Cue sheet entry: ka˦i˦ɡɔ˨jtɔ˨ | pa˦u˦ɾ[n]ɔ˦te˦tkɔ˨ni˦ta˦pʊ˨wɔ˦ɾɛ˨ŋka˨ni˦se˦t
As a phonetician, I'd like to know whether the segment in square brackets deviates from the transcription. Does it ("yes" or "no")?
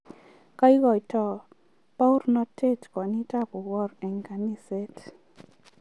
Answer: no